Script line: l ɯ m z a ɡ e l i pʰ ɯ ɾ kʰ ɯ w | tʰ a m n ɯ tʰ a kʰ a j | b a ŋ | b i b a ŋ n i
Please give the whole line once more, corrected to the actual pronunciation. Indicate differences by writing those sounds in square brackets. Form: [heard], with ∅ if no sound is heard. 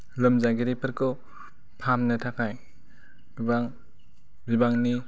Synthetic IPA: l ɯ m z a ɡ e [ɾ] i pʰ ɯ ɾ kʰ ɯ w | [pʰ] a m n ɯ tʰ a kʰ a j | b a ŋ | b i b a ŋ n i

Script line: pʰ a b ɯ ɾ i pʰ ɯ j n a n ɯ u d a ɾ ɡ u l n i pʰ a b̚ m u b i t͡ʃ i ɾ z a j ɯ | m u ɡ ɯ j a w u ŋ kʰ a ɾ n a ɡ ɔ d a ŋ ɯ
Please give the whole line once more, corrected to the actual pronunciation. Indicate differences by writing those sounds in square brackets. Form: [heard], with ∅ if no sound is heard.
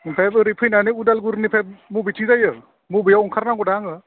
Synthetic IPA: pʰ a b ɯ ɾ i pʰ ɯ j n a n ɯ u d a [l] ɡ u [ɾ] n i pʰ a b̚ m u b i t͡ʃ i [∅] z a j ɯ | m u [b] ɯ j a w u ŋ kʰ a ɾ n a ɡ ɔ d a ŋ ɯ

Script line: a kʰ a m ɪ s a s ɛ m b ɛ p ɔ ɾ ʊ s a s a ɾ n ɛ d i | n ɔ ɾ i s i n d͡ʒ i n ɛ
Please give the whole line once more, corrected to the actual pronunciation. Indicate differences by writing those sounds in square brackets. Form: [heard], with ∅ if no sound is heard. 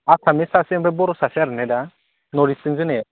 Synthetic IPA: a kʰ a m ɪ s a s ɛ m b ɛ [b] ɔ ɾ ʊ s a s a ɾ n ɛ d [a] | n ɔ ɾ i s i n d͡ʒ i n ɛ

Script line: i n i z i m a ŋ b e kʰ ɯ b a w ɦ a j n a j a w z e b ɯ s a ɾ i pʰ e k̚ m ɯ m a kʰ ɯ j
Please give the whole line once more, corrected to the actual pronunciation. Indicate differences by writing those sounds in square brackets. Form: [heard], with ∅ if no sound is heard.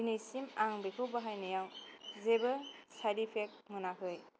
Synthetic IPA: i n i [s] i m a ŋ b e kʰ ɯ b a [∅] ɦ a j n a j a w z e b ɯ s a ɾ i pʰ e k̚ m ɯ [n] a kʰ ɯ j

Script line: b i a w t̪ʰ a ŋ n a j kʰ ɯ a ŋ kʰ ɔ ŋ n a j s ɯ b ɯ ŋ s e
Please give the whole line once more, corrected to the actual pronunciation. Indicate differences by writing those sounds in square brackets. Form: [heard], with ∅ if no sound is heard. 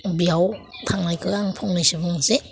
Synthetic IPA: b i a w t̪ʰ a ŋ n a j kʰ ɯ a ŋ [pʰ] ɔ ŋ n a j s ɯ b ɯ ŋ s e

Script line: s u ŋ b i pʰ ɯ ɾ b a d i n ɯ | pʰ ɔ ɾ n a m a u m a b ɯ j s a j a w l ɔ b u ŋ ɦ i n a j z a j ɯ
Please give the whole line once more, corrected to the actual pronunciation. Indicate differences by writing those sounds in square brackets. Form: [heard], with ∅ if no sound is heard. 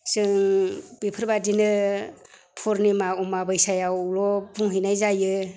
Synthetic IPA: s [ɯ] ŋ b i pʰ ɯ ɾ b a d i n ɯ | pʰ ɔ ɾ n [i] m a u m a b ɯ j s a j a w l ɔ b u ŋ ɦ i n a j z a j ɯ

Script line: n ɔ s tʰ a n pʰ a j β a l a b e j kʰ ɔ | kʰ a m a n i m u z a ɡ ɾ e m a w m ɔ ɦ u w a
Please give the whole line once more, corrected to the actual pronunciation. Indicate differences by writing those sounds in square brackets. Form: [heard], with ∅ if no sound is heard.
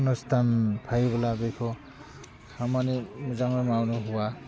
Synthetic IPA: n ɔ s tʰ a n pʰ a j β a l a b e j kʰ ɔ | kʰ a m a n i m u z a [ŋ] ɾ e m a w [n] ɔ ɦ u w a

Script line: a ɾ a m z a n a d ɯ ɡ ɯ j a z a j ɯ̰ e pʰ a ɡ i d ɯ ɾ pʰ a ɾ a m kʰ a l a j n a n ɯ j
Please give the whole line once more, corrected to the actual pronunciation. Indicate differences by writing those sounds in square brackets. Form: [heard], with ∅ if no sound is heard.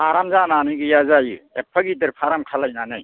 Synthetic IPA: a ɾ a m z a n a [n] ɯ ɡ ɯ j a z a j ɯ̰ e pʰ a ɡ i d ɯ ɾ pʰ a ɾ a m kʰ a l a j n a n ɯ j

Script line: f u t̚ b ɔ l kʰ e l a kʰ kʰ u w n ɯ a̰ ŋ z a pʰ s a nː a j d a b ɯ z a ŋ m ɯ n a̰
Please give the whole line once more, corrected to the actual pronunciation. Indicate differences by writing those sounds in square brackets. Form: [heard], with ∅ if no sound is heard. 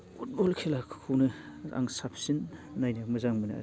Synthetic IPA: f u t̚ b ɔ l kʰ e l a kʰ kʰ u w n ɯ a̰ ŋ [s] a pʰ s [i] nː a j [n] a [m] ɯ z a ŋ m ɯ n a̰

